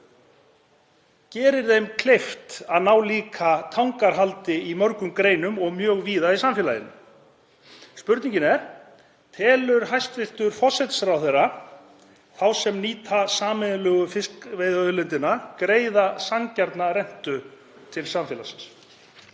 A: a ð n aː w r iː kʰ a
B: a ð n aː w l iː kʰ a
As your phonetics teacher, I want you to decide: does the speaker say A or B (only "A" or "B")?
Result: B